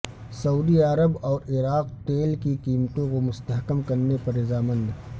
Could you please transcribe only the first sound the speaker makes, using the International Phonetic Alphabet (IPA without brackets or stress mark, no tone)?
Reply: s